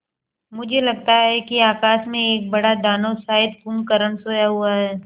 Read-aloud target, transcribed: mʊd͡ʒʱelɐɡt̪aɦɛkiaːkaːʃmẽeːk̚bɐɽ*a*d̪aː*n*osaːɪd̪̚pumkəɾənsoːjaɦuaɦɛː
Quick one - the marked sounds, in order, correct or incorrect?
correct, correct

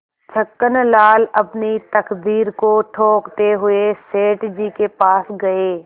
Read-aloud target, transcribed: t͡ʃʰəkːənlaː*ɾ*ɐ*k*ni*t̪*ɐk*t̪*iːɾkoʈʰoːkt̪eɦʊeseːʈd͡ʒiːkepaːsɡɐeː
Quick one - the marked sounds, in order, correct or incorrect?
incorrect: l, incorrect: p, correct, incorrect: d̪

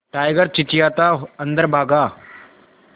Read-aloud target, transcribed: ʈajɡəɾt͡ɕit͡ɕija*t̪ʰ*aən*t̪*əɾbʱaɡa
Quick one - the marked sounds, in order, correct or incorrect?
incorrect: t̪, incorrect: d̪

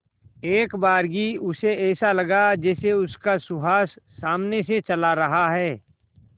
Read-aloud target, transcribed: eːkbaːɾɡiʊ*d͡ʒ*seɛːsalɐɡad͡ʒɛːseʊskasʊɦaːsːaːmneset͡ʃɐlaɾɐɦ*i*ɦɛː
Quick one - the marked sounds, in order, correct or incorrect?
incorrect: none, incorrect: a

